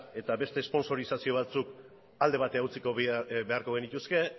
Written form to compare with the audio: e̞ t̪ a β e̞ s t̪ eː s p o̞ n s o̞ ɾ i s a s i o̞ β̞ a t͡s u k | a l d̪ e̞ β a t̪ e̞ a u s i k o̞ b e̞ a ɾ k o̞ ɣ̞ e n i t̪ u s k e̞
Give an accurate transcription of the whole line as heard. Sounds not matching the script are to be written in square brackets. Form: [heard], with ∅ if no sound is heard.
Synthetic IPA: e̞ t̪ a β e̞ s t̪ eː s p o̞ n s o̞ ɾ i s a s i o̞ β̞ a t͡s u k | a l d̪ e̞ β a t̪ e̞ a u [t͡s] i k o̞ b e̞ a ɾ k o̞ ɣ̞ e n i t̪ u s k e̞